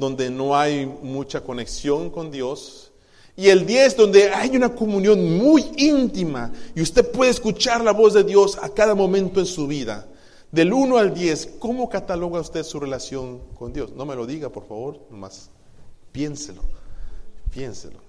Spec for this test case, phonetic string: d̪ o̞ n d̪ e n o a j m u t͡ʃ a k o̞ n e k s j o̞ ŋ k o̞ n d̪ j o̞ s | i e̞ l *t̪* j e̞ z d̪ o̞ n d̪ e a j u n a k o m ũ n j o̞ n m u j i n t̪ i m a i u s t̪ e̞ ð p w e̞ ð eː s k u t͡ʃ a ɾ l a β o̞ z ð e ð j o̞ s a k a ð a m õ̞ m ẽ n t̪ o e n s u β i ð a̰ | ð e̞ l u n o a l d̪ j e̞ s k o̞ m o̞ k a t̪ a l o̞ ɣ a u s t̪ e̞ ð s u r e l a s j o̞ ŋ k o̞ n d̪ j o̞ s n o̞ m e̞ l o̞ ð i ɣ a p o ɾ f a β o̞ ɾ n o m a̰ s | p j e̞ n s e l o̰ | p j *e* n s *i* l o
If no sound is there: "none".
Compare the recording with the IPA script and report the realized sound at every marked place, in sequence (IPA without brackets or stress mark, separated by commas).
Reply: d̪, e, e